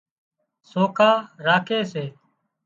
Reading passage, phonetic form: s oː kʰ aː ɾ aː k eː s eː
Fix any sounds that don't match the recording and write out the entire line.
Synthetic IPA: s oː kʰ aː ɾ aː kʰ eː s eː